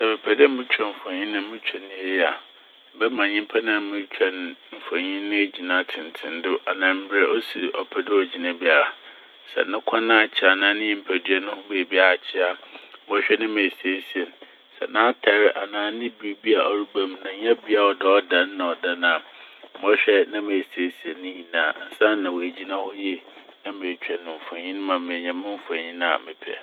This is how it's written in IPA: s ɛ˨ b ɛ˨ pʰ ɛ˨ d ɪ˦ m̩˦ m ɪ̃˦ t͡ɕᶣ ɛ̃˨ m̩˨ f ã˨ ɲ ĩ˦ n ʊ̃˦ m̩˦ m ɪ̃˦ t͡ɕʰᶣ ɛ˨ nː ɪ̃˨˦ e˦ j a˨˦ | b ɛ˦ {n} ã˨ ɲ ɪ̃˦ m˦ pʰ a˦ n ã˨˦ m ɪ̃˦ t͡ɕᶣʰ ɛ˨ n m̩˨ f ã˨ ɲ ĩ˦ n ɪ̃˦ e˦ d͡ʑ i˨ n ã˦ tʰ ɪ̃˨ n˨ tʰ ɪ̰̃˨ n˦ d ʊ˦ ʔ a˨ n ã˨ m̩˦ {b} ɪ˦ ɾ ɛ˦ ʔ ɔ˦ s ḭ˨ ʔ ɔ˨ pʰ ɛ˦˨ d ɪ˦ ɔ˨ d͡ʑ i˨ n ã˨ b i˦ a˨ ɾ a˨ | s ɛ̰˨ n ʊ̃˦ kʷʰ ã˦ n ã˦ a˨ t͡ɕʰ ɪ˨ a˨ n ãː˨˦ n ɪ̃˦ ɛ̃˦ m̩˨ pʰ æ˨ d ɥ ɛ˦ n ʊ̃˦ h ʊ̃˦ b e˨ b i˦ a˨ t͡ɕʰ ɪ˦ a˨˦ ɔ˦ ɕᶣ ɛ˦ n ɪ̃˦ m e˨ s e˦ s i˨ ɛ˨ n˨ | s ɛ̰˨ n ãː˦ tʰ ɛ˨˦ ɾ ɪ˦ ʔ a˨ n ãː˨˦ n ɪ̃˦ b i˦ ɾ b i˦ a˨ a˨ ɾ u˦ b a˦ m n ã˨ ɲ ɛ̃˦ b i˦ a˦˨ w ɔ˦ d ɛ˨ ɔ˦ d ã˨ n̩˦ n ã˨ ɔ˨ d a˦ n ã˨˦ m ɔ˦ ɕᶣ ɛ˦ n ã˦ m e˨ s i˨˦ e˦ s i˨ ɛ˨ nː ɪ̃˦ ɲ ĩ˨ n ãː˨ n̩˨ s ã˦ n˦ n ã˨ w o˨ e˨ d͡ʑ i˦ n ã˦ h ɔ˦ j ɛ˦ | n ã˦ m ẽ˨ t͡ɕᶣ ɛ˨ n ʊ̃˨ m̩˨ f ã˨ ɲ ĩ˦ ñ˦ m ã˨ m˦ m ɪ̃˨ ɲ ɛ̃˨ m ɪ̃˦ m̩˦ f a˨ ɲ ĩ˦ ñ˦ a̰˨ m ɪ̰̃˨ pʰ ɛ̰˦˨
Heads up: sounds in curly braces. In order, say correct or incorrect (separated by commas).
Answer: incorrect, correct